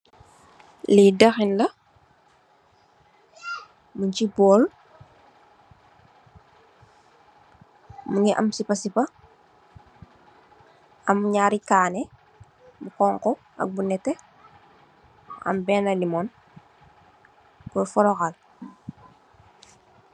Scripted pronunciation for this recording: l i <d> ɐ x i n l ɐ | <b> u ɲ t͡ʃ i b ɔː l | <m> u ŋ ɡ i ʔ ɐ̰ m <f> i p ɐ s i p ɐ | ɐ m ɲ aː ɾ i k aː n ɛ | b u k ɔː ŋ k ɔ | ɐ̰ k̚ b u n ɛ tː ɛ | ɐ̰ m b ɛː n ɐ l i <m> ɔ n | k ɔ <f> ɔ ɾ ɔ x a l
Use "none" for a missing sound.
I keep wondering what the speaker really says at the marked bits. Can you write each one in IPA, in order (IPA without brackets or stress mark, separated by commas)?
d, m, m, s, m, f